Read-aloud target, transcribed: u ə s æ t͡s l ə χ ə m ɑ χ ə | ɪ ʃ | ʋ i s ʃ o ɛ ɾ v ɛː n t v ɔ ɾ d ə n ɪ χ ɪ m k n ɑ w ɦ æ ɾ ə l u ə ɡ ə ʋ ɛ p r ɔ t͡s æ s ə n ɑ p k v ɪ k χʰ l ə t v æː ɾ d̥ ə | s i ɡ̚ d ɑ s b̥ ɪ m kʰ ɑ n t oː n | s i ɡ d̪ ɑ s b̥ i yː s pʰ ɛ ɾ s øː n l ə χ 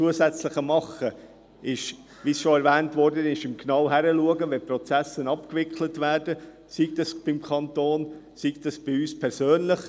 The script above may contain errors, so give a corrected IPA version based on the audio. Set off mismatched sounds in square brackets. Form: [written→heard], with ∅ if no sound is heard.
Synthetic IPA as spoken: u ə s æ t͡s l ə χ ə m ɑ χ ə | ɪ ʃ | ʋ i s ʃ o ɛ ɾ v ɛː n t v ɔ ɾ d ə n ɪ [χ→ʃ] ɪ m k n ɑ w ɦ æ ɾ ə l u ə ɡ ə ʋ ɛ p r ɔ t͡s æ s ə n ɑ p k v ɪ k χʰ l ə t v æː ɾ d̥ ə | s i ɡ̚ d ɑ s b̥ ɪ m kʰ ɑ n t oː n | s i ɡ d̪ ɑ s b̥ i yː s pʰ ɛ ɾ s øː n l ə χ